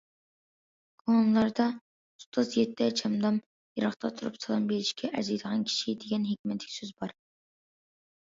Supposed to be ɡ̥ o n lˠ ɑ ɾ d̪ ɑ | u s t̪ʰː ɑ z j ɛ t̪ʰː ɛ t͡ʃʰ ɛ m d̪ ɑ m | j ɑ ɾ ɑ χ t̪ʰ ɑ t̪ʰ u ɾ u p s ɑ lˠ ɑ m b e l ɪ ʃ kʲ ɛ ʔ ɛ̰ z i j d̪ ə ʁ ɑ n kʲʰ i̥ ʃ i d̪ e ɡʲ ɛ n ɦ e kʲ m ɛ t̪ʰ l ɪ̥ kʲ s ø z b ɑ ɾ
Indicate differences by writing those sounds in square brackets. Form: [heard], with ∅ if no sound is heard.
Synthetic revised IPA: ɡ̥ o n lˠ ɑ ɾ d̪ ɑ | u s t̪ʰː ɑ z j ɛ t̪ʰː ɛ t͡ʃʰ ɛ m d̪ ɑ m | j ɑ ɾ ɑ χ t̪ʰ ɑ t̪ʰ u ɾ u p s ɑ lˠ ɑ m b e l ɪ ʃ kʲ ɛ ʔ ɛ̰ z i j d̪ ə ʁ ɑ n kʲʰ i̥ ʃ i d̪ e ɡʲ ɛ n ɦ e kʲ m ɛ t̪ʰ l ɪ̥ kʲ s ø z b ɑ ɾ